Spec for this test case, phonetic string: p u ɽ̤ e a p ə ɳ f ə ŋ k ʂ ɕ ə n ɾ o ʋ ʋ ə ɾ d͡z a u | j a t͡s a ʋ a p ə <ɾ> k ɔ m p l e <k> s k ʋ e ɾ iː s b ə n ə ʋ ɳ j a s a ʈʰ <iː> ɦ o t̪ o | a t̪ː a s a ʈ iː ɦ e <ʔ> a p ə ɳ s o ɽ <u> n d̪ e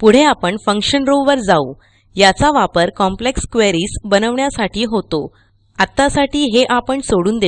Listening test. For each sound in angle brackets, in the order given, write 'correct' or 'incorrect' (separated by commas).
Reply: correct, correct, correct, correct, incorrect